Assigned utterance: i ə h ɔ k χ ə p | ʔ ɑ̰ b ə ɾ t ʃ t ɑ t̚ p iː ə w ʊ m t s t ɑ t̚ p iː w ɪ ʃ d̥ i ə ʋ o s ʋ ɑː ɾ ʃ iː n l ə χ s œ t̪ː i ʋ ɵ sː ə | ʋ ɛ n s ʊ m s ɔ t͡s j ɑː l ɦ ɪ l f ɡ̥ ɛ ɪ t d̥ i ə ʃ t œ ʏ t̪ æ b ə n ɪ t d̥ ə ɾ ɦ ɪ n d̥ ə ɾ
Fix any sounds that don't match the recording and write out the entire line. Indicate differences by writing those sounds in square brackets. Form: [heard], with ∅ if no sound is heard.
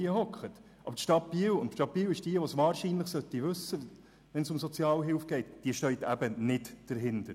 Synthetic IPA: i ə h ɔ k χ ə [t] | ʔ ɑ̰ b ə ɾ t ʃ t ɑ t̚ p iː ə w ʊ [n] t [ʃ] t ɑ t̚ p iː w ɪ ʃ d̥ i ə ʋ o s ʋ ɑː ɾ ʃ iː n l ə χ s œ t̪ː i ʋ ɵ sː ə | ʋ ɛ n s ʊ m s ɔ t͡s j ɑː l ɦ ɪ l f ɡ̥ ɛ ɪ t d̥ i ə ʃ t œ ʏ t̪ æ b ə n ɪ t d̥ ə ɾ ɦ ɪ n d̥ ə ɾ